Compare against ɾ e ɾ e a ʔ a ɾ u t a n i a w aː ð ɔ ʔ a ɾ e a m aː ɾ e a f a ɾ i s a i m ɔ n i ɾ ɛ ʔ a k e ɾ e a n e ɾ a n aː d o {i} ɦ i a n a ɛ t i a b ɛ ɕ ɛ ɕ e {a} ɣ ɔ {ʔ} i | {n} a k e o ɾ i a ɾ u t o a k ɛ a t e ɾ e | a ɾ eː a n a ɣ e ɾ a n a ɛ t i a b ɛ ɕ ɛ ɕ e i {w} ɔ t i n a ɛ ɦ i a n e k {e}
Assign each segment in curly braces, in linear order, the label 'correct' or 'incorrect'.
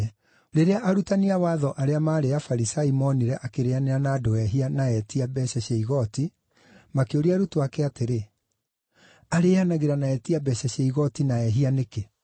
incorrect: ɛ, incorrect: i, incorrect: t, incorrect: m, incorrect: ɣ, correct

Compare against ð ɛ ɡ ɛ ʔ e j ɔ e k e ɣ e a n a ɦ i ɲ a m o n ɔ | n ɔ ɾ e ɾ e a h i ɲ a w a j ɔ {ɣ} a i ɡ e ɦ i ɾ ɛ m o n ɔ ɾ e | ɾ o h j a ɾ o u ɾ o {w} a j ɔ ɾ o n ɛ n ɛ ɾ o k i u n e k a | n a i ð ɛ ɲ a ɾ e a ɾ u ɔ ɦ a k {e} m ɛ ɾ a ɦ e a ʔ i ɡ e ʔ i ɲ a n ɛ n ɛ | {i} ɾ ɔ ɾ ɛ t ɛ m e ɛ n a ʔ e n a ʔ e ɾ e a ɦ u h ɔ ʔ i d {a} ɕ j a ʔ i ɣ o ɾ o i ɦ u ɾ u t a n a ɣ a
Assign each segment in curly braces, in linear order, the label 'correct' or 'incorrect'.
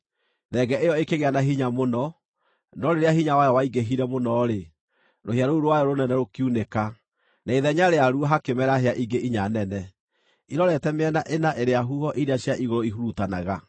incorrect: w, correct, correct, correct, correct

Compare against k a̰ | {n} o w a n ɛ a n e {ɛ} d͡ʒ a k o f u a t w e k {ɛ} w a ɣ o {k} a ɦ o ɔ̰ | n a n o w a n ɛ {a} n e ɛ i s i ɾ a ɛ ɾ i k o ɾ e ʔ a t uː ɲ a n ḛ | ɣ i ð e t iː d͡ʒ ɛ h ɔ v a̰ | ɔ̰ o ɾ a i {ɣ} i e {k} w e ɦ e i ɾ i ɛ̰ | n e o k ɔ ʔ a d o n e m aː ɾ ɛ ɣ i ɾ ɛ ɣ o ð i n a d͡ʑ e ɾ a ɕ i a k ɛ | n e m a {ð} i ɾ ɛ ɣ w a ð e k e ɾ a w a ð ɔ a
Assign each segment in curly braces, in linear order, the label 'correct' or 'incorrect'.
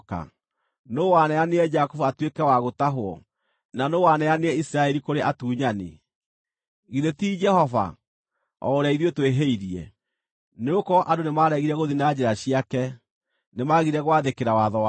correct, correct, correct, incorrect: t, correct, incorrect: ð, incorrect: t, incorrect: ɣ

